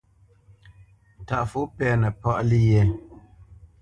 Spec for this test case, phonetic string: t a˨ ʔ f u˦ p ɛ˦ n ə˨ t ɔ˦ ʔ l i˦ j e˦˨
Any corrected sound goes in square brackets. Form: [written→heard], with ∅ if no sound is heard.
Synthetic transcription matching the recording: t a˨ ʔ f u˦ p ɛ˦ n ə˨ [t→p] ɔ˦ ʔ l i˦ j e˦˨